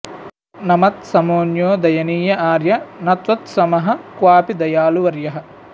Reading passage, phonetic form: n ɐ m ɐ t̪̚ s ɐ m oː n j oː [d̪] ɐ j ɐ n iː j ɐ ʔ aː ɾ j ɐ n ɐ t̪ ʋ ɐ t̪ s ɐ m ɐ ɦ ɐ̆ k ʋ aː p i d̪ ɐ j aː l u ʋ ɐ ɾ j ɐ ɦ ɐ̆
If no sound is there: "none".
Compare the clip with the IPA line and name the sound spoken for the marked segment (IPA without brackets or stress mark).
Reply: d̪